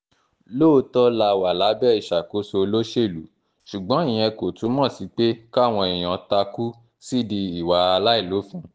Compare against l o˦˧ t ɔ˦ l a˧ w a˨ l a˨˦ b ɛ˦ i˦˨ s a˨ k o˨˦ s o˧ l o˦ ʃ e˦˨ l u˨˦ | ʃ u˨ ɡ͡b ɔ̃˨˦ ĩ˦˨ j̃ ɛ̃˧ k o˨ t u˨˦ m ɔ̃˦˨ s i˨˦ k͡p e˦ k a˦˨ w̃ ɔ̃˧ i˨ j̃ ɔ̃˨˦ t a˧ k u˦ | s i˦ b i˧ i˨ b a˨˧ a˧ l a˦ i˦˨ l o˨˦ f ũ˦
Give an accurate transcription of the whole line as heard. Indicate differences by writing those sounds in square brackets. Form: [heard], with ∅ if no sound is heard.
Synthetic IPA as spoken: l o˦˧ t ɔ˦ l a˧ w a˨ l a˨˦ b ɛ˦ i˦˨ [ʃ] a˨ k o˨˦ s o˧ l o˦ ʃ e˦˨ l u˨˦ | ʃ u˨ ɡ͡b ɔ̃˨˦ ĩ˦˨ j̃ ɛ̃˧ k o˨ t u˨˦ m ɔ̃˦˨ s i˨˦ k͡p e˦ k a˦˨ w̃ ɔ̃˧ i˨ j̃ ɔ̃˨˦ t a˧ k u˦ | s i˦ [d] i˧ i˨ [w] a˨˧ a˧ l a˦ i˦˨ l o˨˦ f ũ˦